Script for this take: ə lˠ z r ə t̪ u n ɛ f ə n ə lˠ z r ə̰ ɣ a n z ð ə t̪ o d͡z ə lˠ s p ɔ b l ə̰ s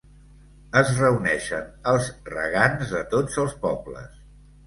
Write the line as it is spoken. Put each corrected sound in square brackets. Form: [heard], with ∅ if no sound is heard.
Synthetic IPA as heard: ə [∅] z r ə [∅] u n ɛ [ʃ] ə n ə lˠ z r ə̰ ɣ a n z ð ə t̪ o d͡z ə lˠ s p ɔ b l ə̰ s